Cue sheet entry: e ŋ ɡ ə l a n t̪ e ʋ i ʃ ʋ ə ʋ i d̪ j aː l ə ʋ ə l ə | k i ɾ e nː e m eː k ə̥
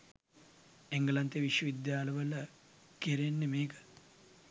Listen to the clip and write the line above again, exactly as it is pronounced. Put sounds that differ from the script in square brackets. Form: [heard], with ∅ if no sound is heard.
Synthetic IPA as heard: e ŋ ɡ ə l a n t̪ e ʋ i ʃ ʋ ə ʋ i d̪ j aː l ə ʋ ə l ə | k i ɾ e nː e m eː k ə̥